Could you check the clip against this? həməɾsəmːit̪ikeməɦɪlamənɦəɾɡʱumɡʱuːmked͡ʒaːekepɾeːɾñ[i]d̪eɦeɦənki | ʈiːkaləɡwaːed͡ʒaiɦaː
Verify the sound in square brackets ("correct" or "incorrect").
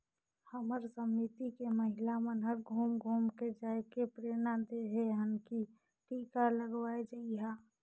incorrect